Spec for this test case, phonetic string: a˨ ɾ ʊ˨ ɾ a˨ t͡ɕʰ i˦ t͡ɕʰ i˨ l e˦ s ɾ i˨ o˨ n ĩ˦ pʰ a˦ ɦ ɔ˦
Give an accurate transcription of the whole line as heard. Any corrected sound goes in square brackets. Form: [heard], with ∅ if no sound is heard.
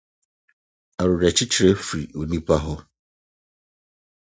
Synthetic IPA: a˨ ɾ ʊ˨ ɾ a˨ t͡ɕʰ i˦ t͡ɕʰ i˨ [ɾ] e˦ [f] ɾ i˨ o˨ n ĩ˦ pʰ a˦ ɦ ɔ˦